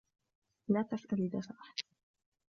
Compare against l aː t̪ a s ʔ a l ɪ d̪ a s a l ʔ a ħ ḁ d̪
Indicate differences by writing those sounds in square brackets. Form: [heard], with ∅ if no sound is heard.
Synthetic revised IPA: l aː t̪ a s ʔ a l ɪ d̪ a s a [∅] ʔ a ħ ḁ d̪